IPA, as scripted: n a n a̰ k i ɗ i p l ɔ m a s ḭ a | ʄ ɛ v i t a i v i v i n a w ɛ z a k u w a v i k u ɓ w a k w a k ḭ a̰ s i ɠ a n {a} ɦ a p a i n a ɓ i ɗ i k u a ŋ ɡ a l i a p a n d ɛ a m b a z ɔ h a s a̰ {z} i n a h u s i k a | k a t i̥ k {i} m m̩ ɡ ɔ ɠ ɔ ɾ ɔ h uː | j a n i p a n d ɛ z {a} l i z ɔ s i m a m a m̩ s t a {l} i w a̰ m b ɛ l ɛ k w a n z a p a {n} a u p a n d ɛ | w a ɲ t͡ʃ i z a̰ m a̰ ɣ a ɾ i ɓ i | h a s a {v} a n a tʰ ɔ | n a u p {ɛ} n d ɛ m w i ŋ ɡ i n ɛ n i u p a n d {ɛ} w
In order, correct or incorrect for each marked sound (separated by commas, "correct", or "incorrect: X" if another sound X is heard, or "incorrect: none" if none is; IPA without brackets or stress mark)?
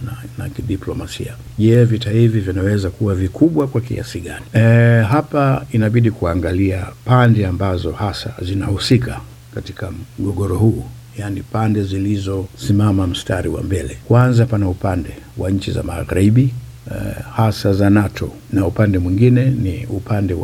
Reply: incorrect: i, correct, incorrect: a, incorrect: i, incorrect: ɾ, correct, incorrect: z, incorrect: a, correct